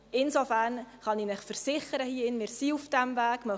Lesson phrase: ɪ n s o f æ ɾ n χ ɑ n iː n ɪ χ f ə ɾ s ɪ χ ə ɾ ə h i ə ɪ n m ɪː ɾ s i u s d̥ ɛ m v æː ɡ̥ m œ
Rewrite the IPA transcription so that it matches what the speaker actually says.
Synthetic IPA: ɪ n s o f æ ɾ n χ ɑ n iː n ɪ χ f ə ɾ s ɪ χ ə ɾ ə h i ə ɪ n m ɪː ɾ s i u f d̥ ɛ m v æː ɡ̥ m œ